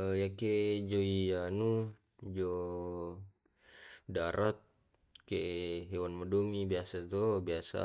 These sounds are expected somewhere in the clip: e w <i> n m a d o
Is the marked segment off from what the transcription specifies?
yes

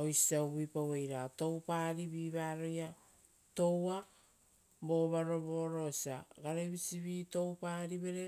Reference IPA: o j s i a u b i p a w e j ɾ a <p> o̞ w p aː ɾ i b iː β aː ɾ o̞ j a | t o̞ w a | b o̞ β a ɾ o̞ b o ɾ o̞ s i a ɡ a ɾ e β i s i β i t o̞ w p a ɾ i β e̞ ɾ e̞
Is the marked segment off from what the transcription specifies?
yes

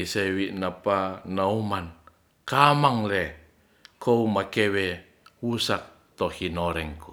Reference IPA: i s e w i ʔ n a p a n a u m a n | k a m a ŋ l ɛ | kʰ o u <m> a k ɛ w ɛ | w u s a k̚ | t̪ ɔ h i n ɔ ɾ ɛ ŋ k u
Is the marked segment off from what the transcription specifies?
no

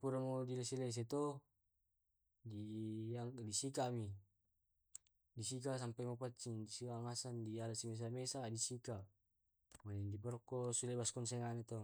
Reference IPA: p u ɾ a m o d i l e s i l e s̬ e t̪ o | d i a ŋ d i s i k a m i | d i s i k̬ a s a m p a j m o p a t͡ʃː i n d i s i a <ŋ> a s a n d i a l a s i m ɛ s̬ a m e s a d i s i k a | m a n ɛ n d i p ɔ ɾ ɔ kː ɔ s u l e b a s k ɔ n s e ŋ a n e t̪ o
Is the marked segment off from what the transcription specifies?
no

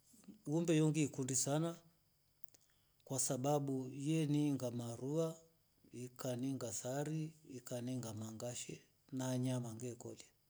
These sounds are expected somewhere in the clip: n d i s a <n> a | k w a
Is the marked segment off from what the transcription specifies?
no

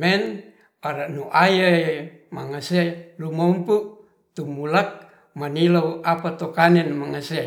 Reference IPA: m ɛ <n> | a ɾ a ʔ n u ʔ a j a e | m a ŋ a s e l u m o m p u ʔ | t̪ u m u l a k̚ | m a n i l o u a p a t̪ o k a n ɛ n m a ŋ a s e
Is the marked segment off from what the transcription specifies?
no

